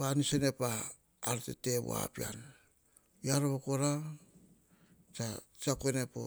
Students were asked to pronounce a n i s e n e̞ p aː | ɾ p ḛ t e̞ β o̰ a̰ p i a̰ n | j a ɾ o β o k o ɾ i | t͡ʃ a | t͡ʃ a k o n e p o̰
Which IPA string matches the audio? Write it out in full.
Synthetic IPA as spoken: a n i s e n e̞ p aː | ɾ t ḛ t e̞ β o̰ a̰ p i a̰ n | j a ɾ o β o k o ɾ a | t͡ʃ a | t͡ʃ a k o n e p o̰

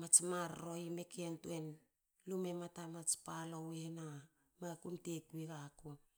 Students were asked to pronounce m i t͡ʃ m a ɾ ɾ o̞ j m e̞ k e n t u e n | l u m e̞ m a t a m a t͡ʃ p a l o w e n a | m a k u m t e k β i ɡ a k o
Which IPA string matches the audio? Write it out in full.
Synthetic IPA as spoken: m a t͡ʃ m a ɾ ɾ o̞ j m e̞ k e n t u e n | l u m e̞ m a t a m a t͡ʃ p a l o w e n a | m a k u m t e k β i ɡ a k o

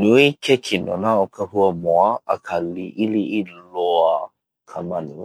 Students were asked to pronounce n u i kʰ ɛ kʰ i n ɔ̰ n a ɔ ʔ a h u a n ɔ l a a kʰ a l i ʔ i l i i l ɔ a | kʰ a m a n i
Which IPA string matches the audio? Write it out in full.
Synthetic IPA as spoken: n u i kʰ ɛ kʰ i n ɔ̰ n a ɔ k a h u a m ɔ a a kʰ a l i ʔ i l i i l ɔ a | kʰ a m a n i

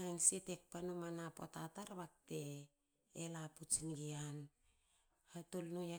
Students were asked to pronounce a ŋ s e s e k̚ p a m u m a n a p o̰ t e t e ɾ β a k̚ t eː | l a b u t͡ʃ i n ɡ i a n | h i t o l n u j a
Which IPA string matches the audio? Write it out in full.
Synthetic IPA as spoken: a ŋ s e t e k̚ p a n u m a n a p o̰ t a t a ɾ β a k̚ t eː | l a p u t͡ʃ i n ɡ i a n | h a t o l n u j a

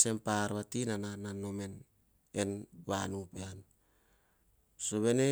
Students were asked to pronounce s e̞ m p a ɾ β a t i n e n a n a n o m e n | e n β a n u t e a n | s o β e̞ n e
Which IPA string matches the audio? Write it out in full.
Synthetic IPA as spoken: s e̞ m p a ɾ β a t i n a n a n a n o m e n | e n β a n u p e a n | s o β e̞ n e

